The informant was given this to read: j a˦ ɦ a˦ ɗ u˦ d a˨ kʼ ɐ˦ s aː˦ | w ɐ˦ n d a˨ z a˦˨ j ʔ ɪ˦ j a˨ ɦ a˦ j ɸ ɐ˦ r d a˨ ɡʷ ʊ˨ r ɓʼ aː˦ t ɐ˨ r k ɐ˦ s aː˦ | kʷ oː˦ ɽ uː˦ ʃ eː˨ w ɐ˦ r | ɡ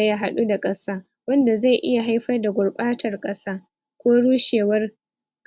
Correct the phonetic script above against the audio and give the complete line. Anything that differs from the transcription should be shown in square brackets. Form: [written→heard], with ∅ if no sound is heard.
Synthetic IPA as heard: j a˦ ɦ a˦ ɗ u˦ d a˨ kʼ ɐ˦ s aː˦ | w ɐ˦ n d a˨ z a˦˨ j ʔ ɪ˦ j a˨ ɦ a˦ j ɸ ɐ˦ r d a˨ ɡʷ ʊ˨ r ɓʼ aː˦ t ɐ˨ r [k→kʼ] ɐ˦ s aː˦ | kʷ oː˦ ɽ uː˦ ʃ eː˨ w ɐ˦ r | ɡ